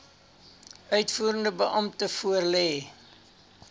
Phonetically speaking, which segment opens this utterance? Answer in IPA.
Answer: œ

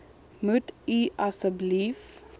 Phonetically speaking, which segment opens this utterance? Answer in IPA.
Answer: m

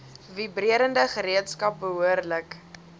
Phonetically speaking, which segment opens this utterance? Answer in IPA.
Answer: v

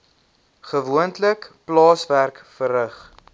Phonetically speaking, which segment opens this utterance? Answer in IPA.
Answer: χ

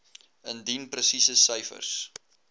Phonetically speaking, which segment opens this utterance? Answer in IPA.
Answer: ə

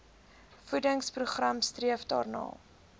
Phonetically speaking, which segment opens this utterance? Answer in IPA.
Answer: f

